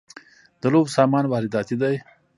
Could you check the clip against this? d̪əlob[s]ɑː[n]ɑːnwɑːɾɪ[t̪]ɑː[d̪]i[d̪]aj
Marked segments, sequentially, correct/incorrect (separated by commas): correct, incorrect, incorrect, incorrect, correct